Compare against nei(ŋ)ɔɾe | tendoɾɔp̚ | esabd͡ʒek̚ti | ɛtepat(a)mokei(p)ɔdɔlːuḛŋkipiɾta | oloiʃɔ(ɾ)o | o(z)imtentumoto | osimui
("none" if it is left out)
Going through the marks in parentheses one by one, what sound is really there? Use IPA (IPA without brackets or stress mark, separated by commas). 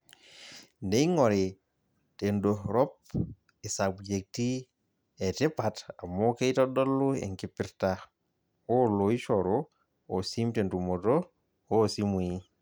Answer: ŋ, a, t, ɾ, s